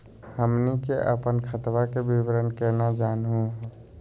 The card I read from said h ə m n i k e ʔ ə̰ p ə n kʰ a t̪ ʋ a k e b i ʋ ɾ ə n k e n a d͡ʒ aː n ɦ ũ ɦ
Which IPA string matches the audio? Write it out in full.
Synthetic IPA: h ə m n i k e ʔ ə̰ p ə n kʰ ə t̪ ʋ a k e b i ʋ ɾ ə n k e n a d͡ʒ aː n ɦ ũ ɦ